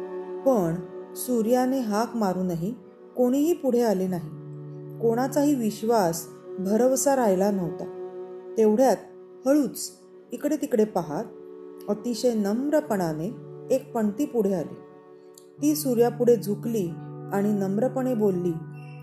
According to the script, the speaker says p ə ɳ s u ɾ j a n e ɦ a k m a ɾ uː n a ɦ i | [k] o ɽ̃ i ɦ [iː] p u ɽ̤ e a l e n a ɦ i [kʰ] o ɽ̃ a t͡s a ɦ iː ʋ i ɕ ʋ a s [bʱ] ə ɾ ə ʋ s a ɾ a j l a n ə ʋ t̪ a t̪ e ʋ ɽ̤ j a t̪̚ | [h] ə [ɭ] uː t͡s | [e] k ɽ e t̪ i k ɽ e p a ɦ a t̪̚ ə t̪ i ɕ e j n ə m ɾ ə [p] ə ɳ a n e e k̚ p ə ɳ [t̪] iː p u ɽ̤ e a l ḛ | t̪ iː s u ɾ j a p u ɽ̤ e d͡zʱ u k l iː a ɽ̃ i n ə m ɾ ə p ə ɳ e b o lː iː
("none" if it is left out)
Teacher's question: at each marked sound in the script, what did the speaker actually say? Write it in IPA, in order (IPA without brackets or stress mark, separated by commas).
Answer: k, iː, k, bʱ, h, ɭ, i, p, t̪